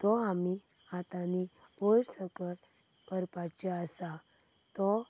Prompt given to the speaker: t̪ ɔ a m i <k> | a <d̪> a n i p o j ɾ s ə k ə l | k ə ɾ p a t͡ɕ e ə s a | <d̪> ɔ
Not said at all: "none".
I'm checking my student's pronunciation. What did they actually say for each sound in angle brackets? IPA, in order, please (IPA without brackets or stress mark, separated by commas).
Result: none, t̪, t̪